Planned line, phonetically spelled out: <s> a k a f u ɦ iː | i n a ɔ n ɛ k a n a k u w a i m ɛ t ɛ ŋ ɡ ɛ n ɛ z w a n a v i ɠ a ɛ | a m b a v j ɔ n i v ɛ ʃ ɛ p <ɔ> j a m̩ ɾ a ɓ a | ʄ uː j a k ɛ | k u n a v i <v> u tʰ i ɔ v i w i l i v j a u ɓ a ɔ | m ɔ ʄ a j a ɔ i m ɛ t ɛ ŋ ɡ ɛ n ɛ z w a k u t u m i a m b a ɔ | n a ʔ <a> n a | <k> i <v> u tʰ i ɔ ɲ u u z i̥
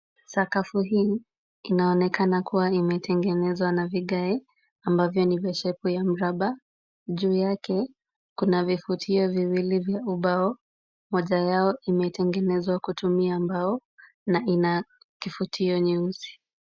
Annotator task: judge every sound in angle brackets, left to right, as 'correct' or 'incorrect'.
correct, incorrect, incorrect, incorrect, correct, incorrect

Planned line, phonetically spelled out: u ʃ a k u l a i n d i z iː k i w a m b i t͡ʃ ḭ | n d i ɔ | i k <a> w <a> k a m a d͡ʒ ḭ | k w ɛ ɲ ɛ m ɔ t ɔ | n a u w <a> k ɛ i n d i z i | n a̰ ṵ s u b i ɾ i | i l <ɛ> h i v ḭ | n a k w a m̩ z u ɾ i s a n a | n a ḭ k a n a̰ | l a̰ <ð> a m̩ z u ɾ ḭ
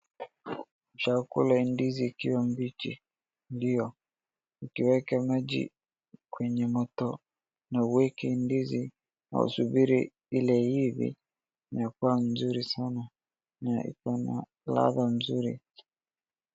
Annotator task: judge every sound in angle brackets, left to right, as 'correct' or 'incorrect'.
incorrect, incorrect, incorrect, correct, correct

